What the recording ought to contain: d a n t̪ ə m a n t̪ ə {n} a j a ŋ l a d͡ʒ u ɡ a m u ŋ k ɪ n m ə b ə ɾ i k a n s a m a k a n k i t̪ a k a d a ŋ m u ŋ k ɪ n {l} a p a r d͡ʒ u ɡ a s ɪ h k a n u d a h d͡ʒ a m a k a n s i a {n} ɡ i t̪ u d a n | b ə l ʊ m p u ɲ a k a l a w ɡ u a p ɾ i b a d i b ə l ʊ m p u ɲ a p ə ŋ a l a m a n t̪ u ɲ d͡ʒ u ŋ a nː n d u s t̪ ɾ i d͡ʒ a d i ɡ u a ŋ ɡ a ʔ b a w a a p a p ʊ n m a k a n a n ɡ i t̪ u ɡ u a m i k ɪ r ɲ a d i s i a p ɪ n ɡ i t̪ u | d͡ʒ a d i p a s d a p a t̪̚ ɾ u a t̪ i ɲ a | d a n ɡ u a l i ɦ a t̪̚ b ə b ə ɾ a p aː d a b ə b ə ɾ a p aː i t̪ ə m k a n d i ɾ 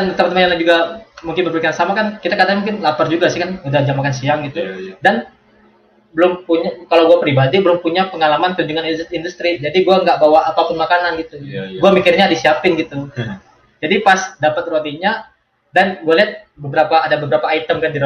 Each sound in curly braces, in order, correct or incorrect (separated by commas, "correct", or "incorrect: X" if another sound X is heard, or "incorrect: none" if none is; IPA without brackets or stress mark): incorrect: m, correct, incorrect: ŋ